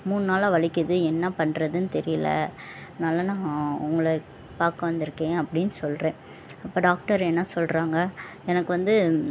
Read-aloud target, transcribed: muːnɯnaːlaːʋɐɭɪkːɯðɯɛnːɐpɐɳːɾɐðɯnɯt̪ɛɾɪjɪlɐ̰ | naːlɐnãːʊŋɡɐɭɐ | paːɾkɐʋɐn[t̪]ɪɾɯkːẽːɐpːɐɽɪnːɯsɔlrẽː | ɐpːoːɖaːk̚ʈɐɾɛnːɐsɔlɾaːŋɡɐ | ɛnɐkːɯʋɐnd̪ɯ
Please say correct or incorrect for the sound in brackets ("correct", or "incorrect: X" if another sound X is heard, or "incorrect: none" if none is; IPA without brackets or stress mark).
incorrect: d̪